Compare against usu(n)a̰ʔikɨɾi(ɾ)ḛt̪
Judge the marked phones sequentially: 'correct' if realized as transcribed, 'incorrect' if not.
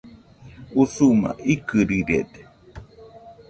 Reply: incorrect: m, correct

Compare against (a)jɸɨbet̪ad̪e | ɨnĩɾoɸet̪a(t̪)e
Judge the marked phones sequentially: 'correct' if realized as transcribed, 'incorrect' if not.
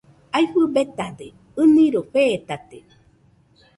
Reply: correct, correct

